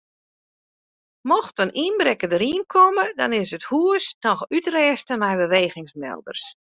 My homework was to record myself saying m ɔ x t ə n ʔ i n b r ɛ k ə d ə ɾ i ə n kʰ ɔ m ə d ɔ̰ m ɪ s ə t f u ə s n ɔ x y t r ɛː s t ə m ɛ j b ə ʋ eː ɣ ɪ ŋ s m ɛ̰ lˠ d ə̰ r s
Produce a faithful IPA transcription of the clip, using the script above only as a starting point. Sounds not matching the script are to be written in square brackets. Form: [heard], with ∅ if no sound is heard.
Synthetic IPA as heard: m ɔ x t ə n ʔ i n b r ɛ k ə d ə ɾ i ə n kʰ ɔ m ə d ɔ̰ [n] ɪ s ə t [h] u ə s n ɔ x y t r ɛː s t ə m ɛ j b ə ʋ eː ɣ ɪ ŋ s m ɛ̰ lˠ d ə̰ r s